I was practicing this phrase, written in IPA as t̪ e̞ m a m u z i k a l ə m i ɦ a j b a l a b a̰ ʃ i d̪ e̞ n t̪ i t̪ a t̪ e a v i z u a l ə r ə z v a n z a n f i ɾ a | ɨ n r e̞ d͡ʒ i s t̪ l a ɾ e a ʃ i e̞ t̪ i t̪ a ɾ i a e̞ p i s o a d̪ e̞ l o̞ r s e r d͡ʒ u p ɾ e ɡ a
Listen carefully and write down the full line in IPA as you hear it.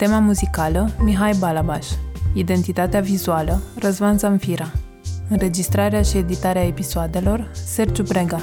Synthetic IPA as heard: t̪ e̞ m a m u z i k a l ə m i ɦ a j b a l a b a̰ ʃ i d̪ e̞ n t̪ i t̪ a t̪ e a v i z u a l ə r ə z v a n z a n f i ɾ a | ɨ n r e̞ d͡ʒ i s t̪ ɾ a ɾ e a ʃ i e̞ d̪ i t̪ a ɾ e a e̞ p i s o a d̪ e̞ l o̞ r s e r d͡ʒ u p ɾ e ɡ a